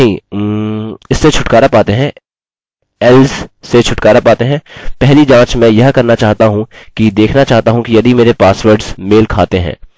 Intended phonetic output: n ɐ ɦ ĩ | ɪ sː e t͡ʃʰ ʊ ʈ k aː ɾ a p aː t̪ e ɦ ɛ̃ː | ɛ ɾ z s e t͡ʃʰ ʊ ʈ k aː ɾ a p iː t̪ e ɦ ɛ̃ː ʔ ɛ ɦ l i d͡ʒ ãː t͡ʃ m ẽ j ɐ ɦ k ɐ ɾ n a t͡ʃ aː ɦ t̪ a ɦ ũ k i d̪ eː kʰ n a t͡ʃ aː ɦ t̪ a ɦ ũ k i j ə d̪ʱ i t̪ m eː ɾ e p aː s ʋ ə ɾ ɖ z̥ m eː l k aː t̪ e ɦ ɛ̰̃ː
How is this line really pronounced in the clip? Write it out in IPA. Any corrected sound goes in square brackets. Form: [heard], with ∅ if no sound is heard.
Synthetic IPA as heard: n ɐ ɦ ĩ | ɪ sː e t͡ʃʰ ʊ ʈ k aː ɾ a p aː t̪ e ɦ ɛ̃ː | ɛ [l] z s e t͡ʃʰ ʊ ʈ k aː ɾ a p [aː] t̪ e ɦ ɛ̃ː [p] ɛ ɦ l i d͡ʒ ãː t͡ʃ m [ɛ̃] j ɐ ɦ k ɐ ɾ n a t͡ʃ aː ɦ t̪ a ɦ ũ k i d̪ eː kʰ n a t͡ʃ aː ɦ t̪ a ɦ ũ k i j [ɐ] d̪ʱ i [∅] m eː ɾ e p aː s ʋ ə ɾ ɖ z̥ m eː l [kʰ] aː t̪ e ɦ ɛ̰̃ː

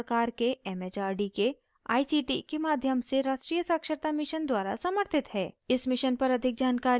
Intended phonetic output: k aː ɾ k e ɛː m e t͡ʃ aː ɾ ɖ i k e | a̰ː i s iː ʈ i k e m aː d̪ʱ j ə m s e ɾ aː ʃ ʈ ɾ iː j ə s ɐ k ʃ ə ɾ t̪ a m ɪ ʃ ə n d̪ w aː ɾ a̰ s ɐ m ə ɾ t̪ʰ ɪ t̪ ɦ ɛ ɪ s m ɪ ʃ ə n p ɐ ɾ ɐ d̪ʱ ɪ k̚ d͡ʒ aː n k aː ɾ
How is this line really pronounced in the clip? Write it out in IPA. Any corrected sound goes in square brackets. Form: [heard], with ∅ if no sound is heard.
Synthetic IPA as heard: k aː ɾ k e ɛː m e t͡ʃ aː ɾ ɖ i k e | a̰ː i s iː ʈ i k e m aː d̪ʱ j ə m s e ɾ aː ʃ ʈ ɾ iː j ə s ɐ k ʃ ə ɾ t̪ a m ɪ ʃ ə n d̪ w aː ɾ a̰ s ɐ m ə ɾ t̪ʰ ɪ t̪ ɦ [ɛː] ɪ s m ɪ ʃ ə n p ɐ ɾ ɐ d̪ʱ ɪ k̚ d͡ʒ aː n k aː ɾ

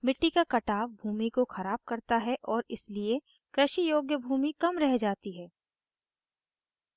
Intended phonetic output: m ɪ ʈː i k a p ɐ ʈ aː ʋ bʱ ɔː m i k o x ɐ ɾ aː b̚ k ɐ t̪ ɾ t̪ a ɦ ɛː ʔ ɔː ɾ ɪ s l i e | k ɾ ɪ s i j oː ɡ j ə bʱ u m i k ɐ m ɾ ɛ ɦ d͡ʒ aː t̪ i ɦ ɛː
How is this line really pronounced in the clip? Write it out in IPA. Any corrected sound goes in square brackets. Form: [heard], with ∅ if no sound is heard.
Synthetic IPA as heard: m ɪ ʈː i k a [k] ɐ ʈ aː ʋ bʱ [uː] m i k o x ɐ ɾ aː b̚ k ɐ [∅] ɾ t̪ a ɦ [ɛ] ʔ ɔː ɾ ɪ s l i e | k ɾ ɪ [ʃ] i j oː ɡ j ə bʱ [uː] m i k ɐ m ɾ ɛ ɦ d͡ʒ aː t̪ i ɦ ɛː

